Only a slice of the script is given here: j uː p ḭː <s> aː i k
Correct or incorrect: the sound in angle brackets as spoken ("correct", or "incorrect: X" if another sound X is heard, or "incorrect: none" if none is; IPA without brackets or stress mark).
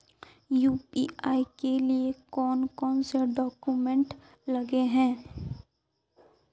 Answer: incorrect: none